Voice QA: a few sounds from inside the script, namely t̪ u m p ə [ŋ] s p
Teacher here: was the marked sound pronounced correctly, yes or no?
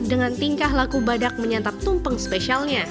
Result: yes